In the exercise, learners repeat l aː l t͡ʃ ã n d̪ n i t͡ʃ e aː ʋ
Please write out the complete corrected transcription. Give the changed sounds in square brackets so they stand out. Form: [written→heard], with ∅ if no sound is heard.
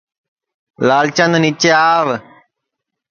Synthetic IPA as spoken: l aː l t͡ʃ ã n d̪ n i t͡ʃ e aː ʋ